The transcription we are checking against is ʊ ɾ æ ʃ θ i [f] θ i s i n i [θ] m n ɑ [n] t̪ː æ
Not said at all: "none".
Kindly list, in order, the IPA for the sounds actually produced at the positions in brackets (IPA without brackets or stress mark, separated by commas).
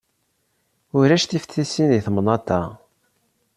f, θ, none